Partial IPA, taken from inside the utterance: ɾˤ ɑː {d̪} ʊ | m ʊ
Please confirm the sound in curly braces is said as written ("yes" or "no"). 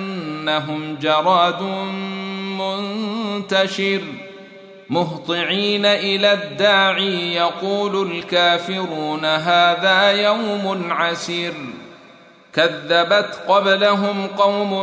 yes